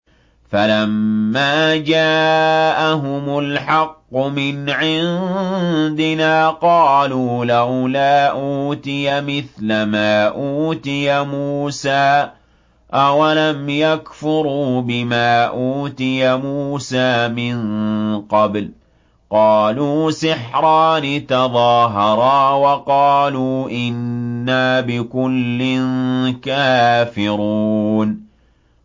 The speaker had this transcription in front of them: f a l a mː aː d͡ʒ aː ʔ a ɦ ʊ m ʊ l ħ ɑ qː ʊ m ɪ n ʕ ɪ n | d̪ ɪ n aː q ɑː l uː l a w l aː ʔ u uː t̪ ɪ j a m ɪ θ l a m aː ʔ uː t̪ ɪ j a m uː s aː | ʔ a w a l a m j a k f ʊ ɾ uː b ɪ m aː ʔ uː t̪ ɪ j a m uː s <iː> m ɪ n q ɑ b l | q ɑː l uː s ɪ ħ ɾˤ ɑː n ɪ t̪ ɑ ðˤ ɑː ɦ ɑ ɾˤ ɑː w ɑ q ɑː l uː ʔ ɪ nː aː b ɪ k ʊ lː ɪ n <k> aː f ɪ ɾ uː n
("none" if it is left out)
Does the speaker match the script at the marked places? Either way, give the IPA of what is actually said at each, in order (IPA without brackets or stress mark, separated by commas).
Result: aː, k